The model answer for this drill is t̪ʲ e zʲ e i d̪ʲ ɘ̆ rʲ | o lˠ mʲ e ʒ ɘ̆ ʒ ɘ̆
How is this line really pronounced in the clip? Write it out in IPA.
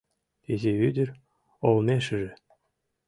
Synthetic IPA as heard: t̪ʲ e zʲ e y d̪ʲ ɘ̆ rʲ | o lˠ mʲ e ʃ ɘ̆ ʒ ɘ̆